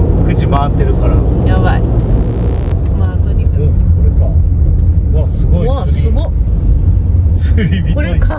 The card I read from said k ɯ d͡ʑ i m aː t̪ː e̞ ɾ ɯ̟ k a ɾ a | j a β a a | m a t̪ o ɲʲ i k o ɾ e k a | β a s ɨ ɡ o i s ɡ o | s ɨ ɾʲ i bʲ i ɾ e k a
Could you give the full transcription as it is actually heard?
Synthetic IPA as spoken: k ɯ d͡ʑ i m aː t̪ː e̞ ɾ ɯ̟ k a ɾ a | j a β a i | m a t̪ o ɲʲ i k o ɾ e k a | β a s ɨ ɡ o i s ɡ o | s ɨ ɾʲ i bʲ i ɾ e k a